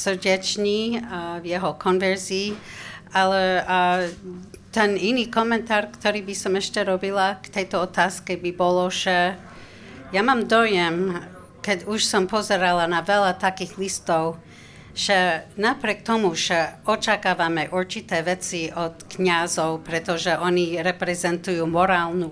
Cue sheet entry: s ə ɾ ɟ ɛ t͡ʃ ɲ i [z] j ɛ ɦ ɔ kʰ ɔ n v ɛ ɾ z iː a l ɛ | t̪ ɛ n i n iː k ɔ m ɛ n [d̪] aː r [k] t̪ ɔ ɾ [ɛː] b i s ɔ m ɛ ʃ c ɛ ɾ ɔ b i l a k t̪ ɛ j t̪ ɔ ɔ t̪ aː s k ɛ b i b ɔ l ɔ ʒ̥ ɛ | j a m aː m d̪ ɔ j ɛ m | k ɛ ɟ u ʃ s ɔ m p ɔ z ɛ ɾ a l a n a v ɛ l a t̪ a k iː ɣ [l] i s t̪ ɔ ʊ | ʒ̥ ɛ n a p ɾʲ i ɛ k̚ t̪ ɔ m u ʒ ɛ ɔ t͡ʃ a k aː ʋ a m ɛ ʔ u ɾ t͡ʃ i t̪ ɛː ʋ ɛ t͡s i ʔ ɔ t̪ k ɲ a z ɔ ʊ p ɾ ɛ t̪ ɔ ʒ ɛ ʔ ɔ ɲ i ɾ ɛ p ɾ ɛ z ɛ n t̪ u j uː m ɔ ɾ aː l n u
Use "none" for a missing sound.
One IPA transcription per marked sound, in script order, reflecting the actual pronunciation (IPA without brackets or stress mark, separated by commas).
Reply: v, t̪, k, iː, l